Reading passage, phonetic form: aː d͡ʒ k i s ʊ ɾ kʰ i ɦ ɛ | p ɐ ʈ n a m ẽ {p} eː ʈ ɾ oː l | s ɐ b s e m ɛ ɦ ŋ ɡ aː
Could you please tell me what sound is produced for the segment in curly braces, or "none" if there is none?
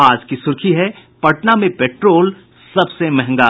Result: p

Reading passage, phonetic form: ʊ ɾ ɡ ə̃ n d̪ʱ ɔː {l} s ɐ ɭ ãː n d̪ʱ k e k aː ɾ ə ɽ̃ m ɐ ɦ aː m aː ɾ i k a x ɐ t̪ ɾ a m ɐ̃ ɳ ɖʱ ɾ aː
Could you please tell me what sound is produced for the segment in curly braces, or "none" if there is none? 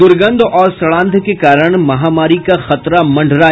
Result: ɾ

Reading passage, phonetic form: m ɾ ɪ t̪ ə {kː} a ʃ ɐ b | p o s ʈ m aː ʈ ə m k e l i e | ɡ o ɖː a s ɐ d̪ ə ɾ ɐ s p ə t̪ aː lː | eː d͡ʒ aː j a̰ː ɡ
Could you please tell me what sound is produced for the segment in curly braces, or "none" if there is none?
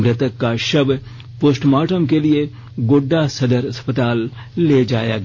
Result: kː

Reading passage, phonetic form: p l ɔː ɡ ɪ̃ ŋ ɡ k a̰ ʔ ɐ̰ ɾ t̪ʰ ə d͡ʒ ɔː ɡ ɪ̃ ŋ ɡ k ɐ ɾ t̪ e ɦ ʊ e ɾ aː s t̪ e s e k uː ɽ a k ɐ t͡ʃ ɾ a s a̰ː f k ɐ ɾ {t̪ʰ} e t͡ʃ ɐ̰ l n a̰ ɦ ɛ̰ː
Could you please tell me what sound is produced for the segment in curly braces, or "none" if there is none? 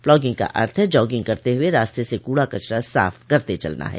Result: t̪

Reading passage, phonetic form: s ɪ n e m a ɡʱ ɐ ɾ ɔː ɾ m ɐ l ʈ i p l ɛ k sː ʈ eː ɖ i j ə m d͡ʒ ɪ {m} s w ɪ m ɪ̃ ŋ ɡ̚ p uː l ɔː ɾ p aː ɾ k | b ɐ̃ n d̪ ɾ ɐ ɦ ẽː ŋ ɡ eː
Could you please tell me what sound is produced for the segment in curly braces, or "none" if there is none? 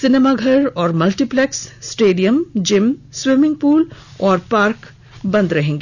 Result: m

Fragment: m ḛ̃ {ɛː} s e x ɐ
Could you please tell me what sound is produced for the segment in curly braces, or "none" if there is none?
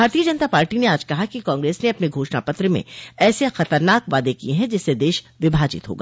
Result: ɛː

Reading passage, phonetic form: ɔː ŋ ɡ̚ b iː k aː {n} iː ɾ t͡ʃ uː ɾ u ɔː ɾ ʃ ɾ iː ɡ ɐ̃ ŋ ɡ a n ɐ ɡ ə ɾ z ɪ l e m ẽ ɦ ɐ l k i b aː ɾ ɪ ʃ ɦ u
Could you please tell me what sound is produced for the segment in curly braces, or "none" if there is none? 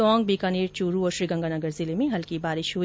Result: n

